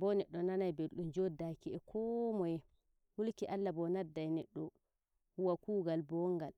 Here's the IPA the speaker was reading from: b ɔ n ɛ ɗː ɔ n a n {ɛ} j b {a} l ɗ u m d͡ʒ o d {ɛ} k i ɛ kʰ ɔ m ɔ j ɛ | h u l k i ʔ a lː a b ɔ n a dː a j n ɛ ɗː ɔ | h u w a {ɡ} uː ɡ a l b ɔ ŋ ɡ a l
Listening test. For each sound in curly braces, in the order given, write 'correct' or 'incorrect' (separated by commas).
incorrect, incorrect, incorrect, incorrect